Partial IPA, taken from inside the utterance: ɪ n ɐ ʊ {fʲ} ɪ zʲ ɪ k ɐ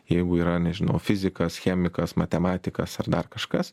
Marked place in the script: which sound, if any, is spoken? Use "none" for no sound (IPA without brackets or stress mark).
fʲ